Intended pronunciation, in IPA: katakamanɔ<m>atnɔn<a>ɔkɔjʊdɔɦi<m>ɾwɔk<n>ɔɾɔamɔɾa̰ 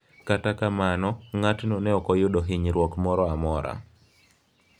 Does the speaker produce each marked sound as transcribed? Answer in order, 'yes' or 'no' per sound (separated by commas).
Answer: no, no, no, no